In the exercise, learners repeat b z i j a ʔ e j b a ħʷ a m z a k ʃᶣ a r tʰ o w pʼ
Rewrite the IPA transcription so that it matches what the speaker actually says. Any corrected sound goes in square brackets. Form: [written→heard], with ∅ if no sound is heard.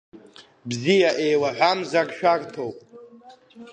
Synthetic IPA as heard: b z i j a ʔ e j [b→w] a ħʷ a m z a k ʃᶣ a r tʰ o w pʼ